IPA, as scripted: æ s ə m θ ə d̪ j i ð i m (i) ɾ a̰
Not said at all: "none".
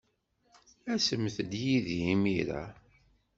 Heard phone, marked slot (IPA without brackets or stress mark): i